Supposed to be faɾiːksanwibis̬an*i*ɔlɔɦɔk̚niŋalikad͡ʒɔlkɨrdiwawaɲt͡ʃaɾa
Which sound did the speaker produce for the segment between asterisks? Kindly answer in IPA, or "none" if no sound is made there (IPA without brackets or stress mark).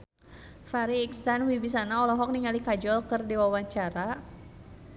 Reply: a